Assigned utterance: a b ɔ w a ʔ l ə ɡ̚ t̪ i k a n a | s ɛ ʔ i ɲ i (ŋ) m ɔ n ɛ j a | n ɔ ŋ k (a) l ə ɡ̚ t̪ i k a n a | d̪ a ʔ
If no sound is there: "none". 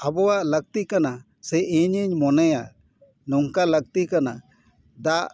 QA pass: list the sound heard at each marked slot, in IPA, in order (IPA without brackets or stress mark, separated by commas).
ɲ, a